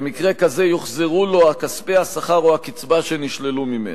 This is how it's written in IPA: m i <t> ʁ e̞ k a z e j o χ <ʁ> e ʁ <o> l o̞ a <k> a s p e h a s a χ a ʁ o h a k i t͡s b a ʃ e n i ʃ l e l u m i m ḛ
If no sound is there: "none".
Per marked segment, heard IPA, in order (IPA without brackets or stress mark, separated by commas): k, z, u, k